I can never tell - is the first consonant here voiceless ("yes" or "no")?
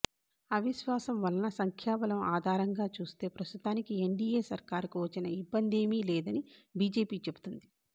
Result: no